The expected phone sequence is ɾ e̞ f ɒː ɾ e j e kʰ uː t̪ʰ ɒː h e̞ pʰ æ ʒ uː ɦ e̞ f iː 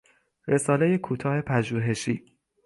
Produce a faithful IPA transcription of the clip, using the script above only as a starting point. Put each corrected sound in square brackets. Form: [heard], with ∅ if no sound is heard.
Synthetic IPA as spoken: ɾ e̞ [s] ɒː [l] e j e kʰ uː t̪ʰ ɒː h e̞ pʰ æ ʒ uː ɦ e̞ [ʃ] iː